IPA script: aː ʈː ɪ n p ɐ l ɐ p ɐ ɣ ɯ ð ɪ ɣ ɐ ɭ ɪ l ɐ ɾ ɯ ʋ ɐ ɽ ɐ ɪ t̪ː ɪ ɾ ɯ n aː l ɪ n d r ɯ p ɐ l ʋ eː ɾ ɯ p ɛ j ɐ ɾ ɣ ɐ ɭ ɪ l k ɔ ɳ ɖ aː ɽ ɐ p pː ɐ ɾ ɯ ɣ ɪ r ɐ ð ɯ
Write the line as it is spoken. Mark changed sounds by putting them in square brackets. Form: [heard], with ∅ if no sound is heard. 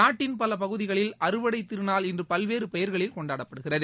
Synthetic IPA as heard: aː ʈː ɪ n p ɐ l ɐ p ɐ ɣ ɯ ð ɪ ɣ ɐ ɭ ɪ l ɐ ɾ ɯ ʋ ɐ ɽ ɐ ɪ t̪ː ɪ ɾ ɯ n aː l ɪ n d r ɯ p ɐ l ʋ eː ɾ ɯ p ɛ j ɐ ɾ ɣ ɐ ɭ ɪ l k ɔ ɳ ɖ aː ɽ ɐ p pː ɐ [ɽ] ɯ ɣ ɪ r ɐ ð ɯ